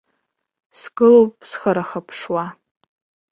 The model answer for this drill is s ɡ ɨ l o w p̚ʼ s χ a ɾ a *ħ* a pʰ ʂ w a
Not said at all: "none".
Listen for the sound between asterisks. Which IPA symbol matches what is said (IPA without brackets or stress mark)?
χ